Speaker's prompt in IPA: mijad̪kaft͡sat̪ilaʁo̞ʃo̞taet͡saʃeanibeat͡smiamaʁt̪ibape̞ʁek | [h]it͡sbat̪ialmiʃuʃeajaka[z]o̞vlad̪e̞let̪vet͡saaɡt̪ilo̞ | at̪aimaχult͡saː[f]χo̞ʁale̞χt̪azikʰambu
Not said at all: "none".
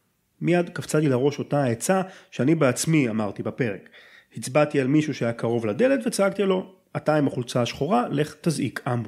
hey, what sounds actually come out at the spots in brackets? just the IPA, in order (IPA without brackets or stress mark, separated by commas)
h, ʁ, ʃ